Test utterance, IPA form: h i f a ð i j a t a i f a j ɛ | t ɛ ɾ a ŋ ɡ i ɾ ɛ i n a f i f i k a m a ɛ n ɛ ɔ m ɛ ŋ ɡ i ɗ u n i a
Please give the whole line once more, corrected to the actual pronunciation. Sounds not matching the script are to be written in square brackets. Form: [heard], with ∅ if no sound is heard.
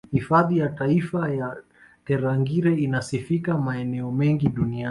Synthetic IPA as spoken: h i f a ð i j a t a i f a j [a] | t ɛ ɾ a ŋ ɡ i ɾ ɛ i n a [s] i f i k a m a ɛ n ɛ ɔ m ɛ ŋ ɡ i ɗ u n i a